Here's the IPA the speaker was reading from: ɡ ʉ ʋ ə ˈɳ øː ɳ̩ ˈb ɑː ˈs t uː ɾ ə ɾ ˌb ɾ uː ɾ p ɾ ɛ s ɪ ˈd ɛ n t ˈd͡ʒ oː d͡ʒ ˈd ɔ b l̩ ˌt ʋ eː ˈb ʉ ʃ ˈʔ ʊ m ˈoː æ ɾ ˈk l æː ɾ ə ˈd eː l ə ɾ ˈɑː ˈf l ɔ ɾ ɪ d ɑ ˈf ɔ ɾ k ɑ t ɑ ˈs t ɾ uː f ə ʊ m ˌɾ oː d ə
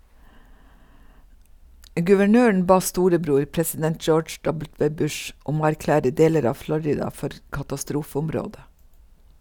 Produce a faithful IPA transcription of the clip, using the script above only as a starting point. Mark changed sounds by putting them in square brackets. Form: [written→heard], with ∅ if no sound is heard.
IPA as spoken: ɡ ʉ ʋ ə ˈɳ øː ɳ̩ ˈb ɑː ˈs t uː ɾ ə [ɾ→∅] ˌb ɾ uː ɾ p ɾ ɛ s ɪ ˈd ɛ n t ˈd͡ʒ oː d͡ʒ ˈd ɔ b l̩ ˌt ʋ eː ˈb ʉ ʃ ˈʔ ʊ m ˈoː æ ɾ ˈk l æː ɾ ə ˈd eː l ə ɾ ˈɑː ˈf l ɔ ɾ ɪ d ɑ ˈf ɔ ɾ k ɑ t ɑ ˈs t ɾ uː f ə ʊ m ˌɾ oː d ə